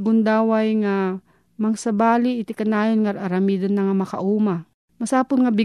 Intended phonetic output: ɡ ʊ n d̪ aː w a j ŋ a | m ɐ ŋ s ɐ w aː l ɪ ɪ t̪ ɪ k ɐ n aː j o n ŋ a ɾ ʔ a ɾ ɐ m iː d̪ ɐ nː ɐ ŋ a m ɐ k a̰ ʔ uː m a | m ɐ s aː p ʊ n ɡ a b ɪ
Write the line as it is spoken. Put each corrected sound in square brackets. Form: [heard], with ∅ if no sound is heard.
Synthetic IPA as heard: ɡ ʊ n d̪ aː w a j ŋ a | m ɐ ŋ s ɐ [b] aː l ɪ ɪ t̪ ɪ k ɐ n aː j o n ŋ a ɾ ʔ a ɾ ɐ m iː d̪ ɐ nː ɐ ŋ a m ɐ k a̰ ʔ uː m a | m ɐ s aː p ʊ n [ŋ] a b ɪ